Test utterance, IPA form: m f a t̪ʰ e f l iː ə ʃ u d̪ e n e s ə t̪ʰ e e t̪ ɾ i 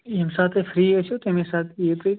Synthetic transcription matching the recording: m s a t̪ʰ e f ɾ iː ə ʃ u t̪ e m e s a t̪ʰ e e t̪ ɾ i